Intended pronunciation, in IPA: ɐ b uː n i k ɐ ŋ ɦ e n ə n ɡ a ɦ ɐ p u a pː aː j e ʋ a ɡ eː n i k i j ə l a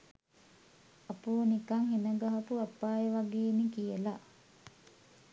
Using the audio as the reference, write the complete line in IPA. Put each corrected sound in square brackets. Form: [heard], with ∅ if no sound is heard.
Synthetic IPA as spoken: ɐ [p] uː n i k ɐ ŋ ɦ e n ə [∅] ɡ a ɦ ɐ p u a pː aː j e ʋ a ɡ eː n i k i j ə l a